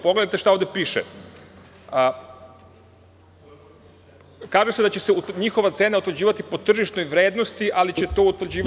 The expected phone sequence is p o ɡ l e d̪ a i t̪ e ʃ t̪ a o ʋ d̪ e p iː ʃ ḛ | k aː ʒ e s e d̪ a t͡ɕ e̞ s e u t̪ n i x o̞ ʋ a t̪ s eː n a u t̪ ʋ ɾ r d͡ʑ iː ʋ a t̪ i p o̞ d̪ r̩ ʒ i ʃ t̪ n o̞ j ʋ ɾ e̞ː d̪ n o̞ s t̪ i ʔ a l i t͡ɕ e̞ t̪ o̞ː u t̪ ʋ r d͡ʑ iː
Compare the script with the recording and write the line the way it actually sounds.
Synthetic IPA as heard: p o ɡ l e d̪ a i t̪ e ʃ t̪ a o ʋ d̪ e p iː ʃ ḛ | k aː ʒ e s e d̪ a t͡ɕ e̞ s e u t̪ ɲ i x o̞ ʋ a t̪ s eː n a u t̪ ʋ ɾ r d͡ʑ iː ʋ a t̪ i p o̞ t̪ r̩ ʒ i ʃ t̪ n o̞ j ʋ ɾ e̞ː d̪ n o̞ s t̪ i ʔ a l i t͡ɕ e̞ t̪ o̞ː u t̪ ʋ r d͡ʑ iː

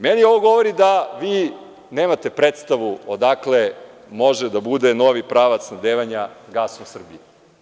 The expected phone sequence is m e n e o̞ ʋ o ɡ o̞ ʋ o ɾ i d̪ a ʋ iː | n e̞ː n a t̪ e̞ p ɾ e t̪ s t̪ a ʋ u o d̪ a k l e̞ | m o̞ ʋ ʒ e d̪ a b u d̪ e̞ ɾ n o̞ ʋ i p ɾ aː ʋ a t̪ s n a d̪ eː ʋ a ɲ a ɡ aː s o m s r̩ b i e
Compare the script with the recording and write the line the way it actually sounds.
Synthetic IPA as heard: m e n i o̞ ʋ o ɡ o̞ ʋ o ɾ i d̪ a ʋ iː | n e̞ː m a t̪ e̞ p ɾ e t̪ s t̪ a ʋ u o d̪ a k l e̞ | m o̞ ʒ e d̪ a b u d̪ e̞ n o̞ ʋ i p ɾ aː ʋ a t̪ s n a d̪ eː ʋ a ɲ a ɡ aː s o m s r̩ b i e

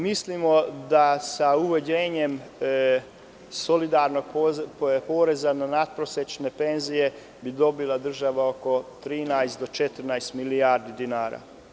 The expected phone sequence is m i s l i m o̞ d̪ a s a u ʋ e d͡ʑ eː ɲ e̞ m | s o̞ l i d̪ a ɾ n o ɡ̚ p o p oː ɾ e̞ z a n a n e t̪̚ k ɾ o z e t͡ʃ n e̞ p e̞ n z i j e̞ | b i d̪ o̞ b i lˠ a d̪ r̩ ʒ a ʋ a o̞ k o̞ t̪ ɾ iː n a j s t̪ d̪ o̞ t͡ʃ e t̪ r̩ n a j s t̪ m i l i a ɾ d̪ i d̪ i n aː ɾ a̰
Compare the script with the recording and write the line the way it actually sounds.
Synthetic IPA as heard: m i s l i m o̞ d̪ a s a u ʋ e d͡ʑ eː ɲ e̞ m | s o̞ l i d̪ a ɾ n o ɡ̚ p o p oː ɾ e̞ z a n a n a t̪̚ p ɾ o s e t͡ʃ n e̞ p e̞ n z i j e̞ | b i d̪ o̞ b i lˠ a d̪ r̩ ʒ a ʋ a o̞ k o̞ t̪ ɾ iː n a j s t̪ d̪ o̞ t͡ʃ e t̪ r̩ n a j s t̪ m i l i a ɾ d̪ i d̪ i n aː ɾ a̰

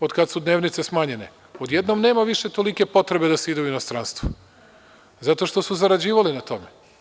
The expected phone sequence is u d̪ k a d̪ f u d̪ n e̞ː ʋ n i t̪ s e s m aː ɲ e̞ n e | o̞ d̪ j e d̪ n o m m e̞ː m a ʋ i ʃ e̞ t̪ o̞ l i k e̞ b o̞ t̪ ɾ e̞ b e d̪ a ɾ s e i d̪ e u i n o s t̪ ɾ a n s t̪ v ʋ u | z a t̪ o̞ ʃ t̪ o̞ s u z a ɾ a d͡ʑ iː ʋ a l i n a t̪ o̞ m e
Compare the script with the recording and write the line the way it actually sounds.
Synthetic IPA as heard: o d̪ k a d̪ s u d̪ n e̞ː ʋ n i t̪ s e s m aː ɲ e̞ n e | o̞ d̪ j e d̪ n o m n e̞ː m a ʋ i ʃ e̞ t̪ o̞ l i k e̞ p o̞ t̪ ɾ e̞ b e d̪ a s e i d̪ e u i n o s t̪ ɾ a n s t̪ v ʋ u | z a t̪ o̞ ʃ t̪ o̞ s u z a ɾ a d͡ʑ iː ʋ a l i n a t̪ o̞ m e

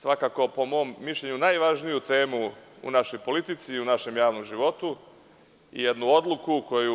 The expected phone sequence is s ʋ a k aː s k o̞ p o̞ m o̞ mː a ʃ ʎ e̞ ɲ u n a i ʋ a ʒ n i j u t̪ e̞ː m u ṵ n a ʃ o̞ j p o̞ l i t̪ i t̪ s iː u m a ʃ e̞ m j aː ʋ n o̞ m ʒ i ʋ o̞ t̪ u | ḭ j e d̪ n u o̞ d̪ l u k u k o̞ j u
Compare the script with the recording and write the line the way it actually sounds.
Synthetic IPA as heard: s ʋ a k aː k o̞ p o̞ m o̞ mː i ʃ ʎ e̞ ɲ u n a j ʋ a ʒ n i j u t̪ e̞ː m u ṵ n a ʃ o̞ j p o̞ l i t̪ i t̪ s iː u n a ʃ e̞ m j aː ʋ n o̞ m ʒ i ʋ o̞ t̪ u | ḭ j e d̪ n u o̞ d̪ l u k u k o̞ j u

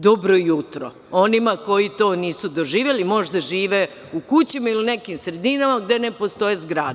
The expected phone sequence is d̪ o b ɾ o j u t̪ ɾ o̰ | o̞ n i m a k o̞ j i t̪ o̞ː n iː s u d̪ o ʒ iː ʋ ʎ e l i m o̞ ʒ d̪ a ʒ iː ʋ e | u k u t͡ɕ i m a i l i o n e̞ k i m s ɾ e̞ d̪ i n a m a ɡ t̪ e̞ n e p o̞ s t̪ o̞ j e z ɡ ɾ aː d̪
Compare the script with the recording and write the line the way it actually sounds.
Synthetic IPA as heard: d̪ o b ɾ o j u t̪ ɾ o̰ | o̞ n i m a k o̞ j i t̪ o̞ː n iː s u d̪ o ʒ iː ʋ j e l i m o̞ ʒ d̪ a ʒ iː ʋ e | u k u t͡ɕ i m a i l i u n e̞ k i m s ɾ e̞ d̪ i n a m a ɡ d̪ e̞ n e p o̞ s t̪ o̞ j e z ɡ ɾ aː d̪

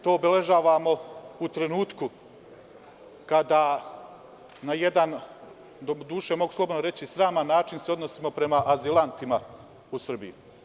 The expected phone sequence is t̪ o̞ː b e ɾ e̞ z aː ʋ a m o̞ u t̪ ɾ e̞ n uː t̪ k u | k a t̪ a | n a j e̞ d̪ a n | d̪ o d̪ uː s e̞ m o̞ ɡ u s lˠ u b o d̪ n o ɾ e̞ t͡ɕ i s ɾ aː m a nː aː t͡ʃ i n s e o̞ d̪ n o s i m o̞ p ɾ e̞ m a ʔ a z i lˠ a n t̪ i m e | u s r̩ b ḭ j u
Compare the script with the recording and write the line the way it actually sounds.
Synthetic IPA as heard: t̪ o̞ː b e l e̞ ʒ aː ʋ a m o̞ u t̪ ɾ e̞ n uː t̪ k u | k a d̪ a | n a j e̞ d̪ a n | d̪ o d̪ uː ʃ e̞ m o̞ ɡ u s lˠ o b o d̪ n o ɾ e̞ t͡ɕ i s ɾ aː m a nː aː t͡ʃ i n s e o̞ d̪ n o s i m o̞ p ɾ e̞ m a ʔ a z i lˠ a n t̪ i m a | u s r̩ b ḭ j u

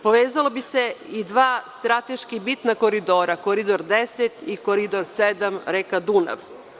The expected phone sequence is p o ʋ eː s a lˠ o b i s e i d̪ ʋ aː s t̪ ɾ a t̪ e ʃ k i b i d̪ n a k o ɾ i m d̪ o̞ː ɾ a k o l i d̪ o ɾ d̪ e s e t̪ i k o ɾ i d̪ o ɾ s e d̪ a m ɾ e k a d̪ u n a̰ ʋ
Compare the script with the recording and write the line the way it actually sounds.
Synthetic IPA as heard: p o ʋ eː z a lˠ o b i s e i d̪ ʋ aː s t̪ ɾ a t̪ e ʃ k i b i t̪ n a k o ɾ i d̪ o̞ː ɾ a k o ɾ i d̪ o ɾ d̪ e s e t̪ i k o ɾ i d̪ o ɾ s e d̪ a m ɾ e k a d̪ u n a̰ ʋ

